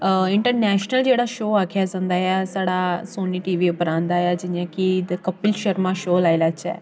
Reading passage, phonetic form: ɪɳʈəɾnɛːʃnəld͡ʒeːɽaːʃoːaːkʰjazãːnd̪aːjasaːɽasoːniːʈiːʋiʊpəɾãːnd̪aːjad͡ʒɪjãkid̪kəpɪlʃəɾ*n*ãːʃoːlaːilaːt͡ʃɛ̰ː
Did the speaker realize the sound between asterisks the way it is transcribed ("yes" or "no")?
no